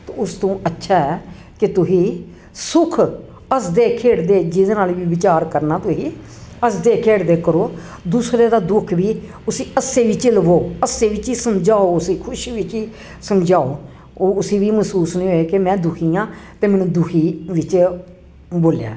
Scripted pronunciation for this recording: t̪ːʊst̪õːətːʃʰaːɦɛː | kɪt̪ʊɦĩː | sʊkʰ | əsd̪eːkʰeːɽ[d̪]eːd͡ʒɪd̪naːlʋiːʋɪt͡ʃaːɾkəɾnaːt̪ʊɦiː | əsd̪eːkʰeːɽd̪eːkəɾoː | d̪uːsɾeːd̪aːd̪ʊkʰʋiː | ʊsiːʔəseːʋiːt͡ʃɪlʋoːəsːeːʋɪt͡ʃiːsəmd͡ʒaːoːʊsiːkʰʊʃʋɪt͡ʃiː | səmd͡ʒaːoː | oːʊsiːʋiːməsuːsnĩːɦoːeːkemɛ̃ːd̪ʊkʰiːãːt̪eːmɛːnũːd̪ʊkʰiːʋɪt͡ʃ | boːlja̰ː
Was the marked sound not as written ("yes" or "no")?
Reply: no